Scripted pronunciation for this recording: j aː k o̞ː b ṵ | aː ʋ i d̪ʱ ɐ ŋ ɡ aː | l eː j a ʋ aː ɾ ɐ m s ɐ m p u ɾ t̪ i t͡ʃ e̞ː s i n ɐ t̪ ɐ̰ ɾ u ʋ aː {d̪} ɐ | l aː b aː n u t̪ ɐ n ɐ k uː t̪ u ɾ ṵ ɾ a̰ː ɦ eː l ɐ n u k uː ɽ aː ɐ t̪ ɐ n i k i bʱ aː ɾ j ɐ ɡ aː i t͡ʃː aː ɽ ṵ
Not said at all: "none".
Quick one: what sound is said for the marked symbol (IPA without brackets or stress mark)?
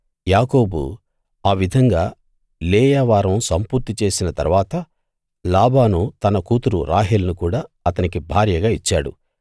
t̪